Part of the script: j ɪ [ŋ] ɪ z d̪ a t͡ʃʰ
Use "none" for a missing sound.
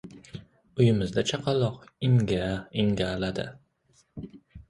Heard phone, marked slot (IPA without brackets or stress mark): m